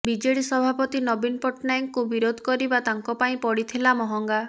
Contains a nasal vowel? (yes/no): yes